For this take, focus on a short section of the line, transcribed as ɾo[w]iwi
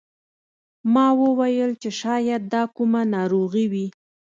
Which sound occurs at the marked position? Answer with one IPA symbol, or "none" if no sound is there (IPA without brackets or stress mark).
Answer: ɣ